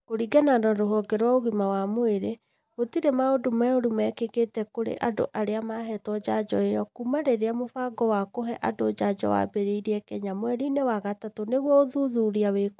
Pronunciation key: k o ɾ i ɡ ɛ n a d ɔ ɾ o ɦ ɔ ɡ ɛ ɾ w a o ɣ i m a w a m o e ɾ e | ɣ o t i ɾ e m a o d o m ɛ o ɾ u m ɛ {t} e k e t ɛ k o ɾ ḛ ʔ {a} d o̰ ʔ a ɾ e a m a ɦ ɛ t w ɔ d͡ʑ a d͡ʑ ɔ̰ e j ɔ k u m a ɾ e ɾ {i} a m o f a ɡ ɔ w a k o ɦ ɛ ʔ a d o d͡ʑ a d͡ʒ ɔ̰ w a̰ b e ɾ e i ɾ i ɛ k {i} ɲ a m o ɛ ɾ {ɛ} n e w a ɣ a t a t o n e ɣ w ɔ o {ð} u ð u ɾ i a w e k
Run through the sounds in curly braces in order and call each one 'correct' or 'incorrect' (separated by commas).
incorrect, correct, incorrect, incorrect, incorrect, correct